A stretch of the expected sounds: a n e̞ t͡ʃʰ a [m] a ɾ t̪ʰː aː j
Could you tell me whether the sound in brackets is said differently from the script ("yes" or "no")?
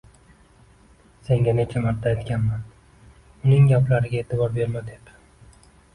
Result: no